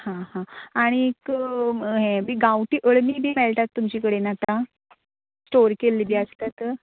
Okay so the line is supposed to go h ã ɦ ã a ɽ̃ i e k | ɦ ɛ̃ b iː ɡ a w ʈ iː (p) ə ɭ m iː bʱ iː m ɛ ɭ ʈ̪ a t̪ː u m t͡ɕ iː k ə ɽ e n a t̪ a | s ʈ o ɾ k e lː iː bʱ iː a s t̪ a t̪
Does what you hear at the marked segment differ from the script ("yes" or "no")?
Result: yes